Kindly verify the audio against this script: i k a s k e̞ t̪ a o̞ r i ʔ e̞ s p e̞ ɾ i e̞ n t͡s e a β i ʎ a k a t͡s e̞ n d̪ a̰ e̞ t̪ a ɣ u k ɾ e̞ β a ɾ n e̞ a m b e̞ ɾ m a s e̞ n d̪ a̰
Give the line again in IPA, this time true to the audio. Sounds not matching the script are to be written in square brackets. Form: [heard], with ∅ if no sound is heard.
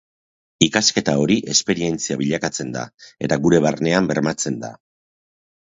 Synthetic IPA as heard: i k a s k e̞ t̪ a o̞ [ɾ] i ʔ e̞ s p e̞ ɾ i e̞ n t͡s [i] a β i ʎ a k a t͡s e̞ n d̪ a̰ e̞ t̪ a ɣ u [∅] ɾ e̞ β a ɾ n e̞ a m b e̞ ɾ m a [t͡s] e̞ n d̪ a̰